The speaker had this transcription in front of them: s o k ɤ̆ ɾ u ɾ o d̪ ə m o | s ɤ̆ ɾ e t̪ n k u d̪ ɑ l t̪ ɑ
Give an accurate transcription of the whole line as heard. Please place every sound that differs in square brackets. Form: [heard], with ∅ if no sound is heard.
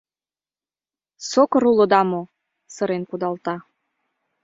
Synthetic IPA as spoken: s o k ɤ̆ ɾ u [l] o d̪ [ɑ] m o | s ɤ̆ ɾ e [∅] n k u d̪ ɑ l t̪ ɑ